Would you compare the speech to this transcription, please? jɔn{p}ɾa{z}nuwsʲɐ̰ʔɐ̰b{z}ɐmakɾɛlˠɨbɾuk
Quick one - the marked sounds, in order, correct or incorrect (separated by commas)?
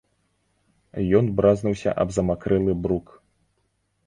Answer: incorrect, correct, correct